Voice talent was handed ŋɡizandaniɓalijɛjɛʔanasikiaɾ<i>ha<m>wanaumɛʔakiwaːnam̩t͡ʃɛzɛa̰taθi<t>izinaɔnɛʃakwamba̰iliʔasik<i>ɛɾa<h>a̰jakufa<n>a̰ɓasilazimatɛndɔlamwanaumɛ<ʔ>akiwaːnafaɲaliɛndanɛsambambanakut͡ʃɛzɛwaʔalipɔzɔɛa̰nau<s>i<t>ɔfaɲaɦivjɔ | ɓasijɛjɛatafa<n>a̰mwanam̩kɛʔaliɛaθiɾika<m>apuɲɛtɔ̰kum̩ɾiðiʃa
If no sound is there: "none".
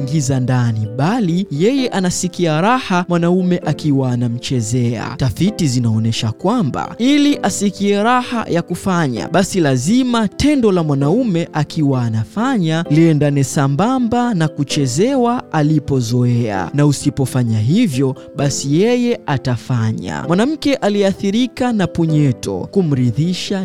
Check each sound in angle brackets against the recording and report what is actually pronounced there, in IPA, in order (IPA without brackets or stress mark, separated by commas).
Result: a, m, t, i, h, ɲ, ʔ, s, p, ɲ, n